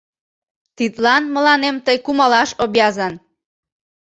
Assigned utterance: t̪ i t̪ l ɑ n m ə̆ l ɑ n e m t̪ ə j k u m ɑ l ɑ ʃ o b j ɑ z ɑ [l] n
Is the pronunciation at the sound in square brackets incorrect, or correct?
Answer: incorrect